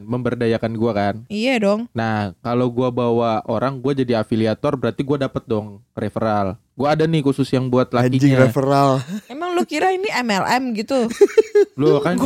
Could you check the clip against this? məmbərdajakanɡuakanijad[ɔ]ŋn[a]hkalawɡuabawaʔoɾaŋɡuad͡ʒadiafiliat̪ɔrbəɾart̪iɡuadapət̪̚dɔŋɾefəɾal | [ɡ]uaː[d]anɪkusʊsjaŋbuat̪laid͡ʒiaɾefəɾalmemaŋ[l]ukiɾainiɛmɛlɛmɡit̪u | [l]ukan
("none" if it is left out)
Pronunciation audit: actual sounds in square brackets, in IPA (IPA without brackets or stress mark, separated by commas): ɔ, a, ɡ, d, l, l